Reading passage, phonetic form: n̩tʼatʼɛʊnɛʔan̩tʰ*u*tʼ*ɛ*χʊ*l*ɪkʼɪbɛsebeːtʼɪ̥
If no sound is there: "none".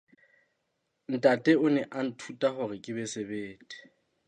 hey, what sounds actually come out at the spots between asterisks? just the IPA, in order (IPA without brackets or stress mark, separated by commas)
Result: u, a, r